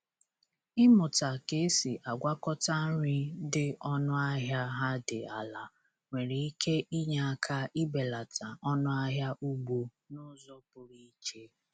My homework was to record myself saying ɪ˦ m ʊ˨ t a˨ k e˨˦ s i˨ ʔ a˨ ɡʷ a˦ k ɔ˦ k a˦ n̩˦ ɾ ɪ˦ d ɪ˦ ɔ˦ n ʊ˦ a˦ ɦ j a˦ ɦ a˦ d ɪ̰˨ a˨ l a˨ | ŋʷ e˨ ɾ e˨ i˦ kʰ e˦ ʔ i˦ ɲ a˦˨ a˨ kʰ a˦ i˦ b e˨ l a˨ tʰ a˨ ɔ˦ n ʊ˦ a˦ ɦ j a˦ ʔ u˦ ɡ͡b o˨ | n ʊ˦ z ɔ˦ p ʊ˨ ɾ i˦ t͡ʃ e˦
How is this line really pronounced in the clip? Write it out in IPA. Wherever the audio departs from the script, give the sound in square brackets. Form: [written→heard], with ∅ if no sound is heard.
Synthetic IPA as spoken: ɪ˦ m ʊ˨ t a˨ k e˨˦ s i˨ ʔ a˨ ɡʷ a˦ k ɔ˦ [k→t] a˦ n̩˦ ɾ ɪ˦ d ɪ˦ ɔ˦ n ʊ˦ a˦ ɦ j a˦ ɦ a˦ d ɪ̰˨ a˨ l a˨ | ŋʷ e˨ ɾ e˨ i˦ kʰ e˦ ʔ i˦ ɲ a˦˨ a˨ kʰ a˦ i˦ b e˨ l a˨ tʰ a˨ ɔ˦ n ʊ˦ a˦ ɦ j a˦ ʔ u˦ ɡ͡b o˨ | n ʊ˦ z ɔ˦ p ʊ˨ ɾ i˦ t͡ʃ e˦